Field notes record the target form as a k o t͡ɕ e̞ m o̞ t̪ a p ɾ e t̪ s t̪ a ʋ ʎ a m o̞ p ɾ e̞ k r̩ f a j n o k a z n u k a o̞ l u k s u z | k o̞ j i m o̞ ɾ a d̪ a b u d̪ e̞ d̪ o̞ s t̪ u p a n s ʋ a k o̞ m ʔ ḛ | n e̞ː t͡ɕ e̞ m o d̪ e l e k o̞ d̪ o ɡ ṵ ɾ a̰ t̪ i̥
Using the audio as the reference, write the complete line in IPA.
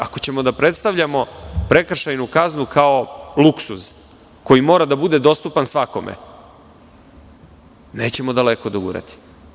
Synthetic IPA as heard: a k o t͡ɕ e̞ m o̞ d̪ a p ɾ e t̪ s t̪ a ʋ ʎ a m o̞ p ɾ e̞ k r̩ ʃ a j n u k a z n u k a o̞ l u k s u z | k o̞ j i m o̞ ɾ a d̪ a b u d̪ e̞ d̪ o̞ s t̪ u p a n s ʋ a k o̞ m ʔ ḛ | n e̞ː t͡ɕ e̞ m o d̪ a l e k o̞ d̪ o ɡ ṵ ɾ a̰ t̪ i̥